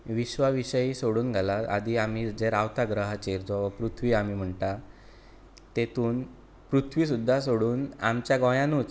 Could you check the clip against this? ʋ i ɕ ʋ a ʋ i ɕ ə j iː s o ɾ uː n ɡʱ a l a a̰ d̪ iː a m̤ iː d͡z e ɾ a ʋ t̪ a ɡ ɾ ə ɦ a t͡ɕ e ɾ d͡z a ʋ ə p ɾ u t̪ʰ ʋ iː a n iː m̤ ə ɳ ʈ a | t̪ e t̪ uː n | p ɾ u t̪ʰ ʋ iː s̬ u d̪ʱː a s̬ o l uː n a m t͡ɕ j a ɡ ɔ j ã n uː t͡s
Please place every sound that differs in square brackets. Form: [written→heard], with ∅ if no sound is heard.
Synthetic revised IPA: ʋ i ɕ ʋ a ʋ i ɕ ə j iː s o [ɾ→ɽ] uː n ɡʱ a l a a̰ d̪ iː a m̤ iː d͡z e ɾ a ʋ t̪ a ɡ ɾ ə ɦ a t͡ɕ e ɾ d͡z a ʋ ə p ɾ u t̪ʰ ʋ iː a [n→m] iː m̤ ə ɳ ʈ a | t̪ e t̪ uː n | p ɾ u t̪ʰ ʋ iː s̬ u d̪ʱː a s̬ o [l→ɽ] uː n a m t͡ɕ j a ɡ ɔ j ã n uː t͡s